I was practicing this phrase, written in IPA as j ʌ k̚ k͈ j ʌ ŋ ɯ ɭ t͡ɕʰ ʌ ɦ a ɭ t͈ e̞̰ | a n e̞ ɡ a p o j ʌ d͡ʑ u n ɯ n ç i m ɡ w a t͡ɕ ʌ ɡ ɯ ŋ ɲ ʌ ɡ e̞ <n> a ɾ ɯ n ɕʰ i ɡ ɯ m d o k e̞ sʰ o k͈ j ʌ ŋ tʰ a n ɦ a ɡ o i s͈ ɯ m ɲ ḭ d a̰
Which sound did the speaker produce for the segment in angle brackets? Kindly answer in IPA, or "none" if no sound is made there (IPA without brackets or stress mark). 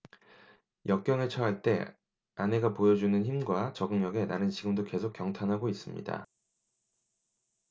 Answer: n